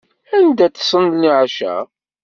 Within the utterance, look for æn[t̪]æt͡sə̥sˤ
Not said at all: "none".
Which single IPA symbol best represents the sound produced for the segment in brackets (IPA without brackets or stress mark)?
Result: d̪